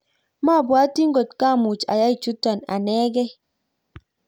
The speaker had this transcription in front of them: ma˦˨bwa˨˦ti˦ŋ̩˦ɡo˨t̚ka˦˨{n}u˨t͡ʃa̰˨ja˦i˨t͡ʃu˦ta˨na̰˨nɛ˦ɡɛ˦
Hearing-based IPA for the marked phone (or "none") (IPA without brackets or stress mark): m